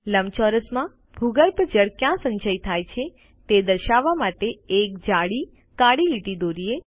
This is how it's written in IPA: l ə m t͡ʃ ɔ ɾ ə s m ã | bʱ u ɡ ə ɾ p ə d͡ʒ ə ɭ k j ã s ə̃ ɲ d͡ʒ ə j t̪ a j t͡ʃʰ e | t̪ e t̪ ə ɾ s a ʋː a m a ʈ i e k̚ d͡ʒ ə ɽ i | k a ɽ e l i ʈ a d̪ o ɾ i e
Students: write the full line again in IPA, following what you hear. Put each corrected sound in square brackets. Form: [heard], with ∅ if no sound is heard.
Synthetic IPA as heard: l ə m t͡ʃ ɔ ɾ ə s m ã | bʱ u ɡ ə ɾ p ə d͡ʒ ə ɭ k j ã s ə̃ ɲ d͡ʒ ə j [t̪ʰ] a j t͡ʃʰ e | t̪ e [d̪] ə ɾ [ʃ] a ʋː a m a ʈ [e] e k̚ d͡ʒ [a] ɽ i | k a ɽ [i] l i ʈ [i] d̪ o ɾ i e